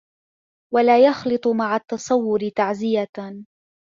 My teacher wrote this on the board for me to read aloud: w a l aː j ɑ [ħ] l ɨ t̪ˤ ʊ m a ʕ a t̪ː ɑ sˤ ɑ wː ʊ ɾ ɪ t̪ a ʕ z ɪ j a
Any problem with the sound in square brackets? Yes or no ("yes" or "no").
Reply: yes